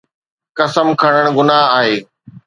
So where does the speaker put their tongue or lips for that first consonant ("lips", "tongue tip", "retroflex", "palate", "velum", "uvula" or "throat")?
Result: velum